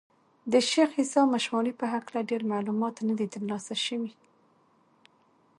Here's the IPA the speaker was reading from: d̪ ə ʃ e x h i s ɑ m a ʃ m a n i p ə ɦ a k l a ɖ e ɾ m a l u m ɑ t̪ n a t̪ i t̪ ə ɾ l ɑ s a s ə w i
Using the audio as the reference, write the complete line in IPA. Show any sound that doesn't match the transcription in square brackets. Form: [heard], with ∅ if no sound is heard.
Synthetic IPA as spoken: d̪ ə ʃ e x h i s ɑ m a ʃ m [ɑ] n i p ə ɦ a k l a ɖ e ɾ m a l u m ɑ t̪ n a [d̪] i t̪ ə ɾ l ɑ s a [ʃ] ə w i